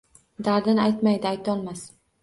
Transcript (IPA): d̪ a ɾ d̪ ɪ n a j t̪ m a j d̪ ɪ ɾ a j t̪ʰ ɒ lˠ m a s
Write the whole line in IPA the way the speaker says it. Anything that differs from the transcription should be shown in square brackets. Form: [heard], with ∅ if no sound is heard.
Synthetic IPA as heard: d̪ a ɾ d̪ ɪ n a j t̪ m a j d̪ ɪ [∅] a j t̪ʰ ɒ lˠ m a s